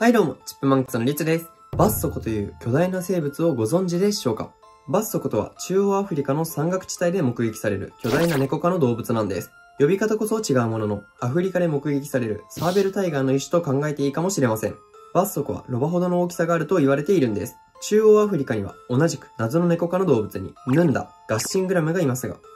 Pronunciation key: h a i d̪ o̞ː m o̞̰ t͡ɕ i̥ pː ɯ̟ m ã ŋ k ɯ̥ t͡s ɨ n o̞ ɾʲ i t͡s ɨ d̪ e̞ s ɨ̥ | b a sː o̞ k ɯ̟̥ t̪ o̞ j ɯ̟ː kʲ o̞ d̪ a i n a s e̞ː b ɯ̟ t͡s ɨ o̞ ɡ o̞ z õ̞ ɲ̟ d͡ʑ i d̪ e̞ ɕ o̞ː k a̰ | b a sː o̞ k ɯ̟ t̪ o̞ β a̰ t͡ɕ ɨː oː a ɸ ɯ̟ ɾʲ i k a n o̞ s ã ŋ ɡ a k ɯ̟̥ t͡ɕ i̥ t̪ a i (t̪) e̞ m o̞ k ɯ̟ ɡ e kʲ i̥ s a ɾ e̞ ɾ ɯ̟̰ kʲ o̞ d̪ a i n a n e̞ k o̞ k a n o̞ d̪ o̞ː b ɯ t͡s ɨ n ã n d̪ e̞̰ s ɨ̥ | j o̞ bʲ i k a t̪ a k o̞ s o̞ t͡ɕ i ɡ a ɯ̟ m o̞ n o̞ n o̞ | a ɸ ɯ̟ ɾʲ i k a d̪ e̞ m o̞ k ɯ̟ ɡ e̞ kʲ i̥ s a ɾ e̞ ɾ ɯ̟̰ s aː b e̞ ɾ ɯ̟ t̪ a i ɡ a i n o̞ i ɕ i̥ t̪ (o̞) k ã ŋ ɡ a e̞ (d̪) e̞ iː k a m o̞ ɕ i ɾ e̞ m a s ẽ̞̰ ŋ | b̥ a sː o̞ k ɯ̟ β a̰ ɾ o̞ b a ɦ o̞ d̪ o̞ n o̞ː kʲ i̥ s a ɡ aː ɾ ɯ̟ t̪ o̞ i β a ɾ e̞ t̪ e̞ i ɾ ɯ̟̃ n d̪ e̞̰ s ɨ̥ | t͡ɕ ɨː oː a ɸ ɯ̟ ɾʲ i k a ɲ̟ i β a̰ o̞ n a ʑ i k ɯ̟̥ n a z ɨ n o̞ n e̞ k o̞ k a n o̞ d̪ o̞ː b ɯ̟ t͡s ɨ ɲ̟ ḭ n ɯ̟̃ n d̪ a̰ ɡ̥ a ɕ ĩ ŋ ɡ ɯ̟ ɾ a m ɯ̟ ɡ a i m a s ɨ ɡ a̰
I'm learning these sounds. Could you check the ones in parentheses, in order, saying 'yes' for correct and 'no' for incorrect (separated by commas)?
no, yes, no